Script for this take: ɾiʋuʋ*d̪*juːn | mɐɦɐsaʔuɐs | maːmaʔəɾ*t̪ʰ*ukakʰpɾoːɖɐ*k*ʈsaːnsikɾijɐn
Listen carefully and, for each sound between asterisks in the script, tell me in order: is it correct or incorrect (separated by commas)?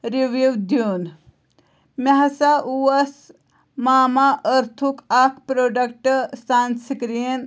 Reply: correct, correct, correct